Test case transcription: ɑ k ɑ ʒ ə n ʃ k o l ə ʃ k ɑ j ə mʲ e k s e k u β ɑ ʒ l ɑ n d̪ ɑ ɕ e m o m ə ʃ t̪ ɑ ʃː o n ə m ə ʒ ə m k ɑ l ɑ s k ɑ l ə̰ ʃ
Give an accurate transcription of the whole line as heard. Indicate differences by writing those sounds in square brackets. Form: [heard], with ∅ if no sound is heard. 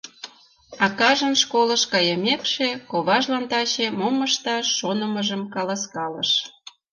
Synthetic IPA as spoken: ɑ k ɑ ʒ ə n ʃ k o l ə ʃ k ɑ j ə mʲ e k [ʃ] e k [o] β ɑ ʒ l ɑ n [t̪] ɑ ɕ e m o m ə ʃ t̪ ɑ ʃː o n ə m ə ʒ ə m k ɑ l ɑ s k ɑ l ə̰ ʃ